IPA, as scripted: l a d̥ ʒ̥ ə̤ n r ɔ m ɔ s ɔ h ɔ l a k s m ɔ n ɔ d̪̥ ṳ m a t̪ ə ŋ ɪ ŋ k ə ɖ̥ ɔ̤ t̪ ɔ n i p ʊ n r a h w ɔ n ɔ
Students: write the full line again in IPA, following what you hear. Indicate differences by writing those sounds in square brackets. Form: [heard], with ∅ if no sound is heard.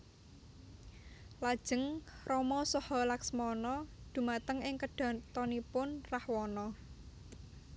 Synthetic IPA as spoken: l a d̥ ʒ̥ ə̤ [ŋ] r ɔ m ɔ s ɔ h ɔ l a k s m ɔ n ɔ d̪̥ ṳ m a t̪ ə ŋ ɪ ŋ k ə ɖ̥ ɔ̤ t̪ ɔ n i p ʊ n r a h w ɔ n ɔ